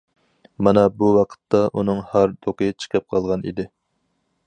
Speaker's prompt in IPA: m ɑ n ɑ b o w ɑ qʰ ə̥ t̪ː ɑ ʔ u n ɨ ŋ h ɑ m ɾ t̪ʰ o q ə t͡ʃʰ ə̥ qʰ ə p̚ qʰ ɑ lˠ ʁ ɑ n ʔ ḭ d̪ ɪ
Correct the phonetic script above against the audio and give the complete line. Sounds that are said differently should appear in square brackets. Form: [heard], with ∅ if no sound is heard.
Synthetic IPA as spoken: m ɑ n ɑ b [u] w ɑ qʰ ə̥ t̪ː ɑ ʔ u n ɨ ŋ h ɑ [∅] ɾ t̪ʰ o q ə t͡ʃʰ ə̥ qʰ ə p̚ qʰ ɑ lˠ ʁ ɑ n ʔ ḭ d̪ ɪ